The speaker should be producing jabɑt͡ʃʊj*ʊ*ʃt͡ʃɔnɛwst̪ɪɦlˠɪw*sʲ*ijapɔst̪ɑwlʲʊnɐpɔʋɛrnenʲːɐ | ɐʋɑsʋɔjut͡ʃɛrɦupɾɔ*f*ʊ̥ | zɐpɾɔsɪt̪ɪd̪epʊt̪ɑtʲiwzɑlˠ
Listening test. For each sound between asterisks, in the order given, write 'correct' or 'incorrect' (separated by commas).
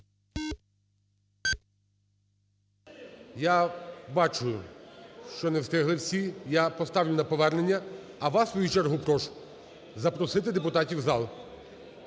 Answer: correct, correct, incorrect